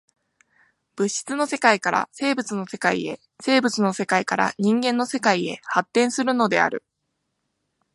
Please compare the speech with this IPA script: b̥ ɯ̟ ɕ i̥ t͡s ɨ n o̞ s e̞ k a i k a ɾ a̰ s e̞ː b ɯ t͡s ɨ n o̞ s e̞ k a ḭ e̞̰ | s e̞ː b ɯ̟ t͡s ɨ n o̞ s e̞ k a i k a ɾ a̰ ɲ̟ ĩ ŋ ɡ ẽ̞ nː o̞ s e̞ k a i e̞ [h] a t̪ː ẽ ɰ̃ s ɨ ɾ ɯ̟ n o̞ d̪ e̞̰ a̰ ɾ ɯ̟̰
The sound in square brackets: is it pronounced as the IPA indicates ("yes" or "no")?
yes